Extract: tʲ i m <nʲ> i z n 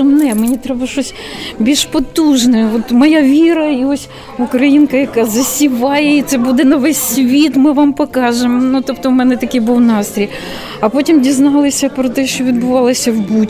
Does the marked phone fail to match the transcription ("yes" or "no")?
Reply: yes